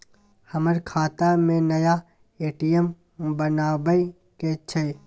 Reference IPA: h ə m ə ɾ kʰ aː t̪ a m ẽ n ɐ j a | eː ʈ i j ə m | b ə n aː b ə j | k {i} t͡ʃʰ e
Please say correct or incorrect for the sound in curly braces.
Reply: incorrect: e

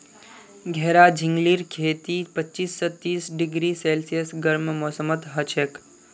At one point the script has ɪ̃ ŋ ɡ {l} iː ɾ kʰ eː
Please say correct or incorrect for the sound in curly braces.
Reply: correct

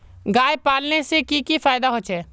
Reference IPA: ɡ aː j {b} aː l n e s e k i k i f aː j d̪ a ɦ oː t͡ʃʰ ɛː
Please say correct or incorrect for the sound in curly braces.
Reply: incorrect: p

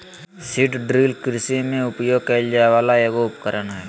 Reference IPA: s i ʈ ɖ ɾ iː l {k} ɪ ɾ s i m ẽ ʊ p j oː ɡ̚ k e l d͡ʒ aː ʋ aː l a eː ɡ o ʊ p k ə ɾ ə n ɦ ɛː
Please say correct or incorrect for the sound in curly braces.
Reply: correct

